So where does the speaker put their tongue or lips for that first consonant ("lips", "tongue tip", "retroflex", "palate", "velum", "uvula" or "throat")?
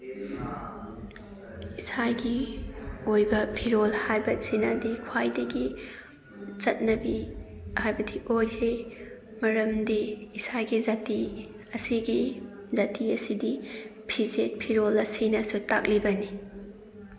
tongue tip